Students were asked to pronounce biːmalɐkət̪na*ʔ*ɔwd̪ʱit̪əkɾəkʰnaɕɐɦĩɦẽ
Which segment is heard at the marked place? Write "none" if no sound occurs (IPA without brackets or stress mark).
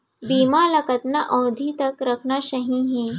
ʔ